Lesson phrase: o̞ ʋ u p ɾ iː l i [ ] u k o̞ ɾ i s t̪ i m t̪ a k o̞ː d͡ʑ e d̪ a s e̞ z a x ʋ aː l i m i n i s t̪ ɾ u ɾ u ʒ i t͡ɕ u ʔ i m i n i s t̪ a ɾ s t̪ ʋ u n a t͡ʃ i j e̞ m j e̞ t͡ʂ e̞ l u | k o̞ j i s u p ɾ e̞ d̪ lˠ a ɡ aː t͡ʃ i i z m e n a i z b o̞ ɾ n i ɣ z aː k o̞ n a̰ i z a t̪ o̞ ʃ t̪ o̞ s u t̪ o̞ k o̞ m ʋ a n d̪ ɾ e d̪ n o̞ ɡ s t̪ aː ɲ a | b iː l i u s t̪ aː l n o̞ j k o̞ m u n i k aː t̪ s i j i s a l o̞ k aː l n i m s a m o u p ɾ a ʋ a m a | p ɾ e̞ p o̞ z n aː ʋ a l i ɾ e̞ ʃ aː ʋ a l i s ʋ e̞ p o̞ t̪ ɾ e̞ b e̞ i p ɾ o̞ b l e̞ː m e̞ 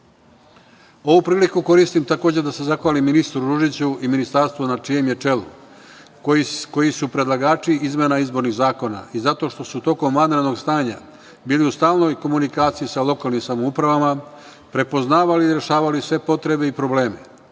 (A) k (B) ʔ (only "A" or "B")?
A